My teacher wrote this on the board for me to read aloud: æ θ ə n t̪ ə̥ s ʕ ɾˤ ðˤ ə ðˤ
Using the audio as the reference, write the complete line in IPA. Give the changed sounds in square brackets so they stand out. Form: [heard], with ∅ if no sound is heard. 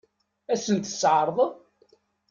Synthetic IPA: æ [s] ə n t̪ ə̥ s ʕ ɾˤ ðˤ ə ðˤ